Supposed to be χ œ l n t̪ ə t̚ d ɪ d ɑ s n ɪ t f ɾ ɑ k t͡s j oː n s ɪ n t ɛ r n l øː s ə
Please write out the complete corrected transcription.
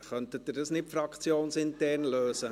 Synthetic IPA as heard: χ œ n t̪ ə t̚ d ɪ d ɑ s n ɪ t f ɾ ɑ k t͡s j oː n s ɪ n t ɛ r n l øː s ə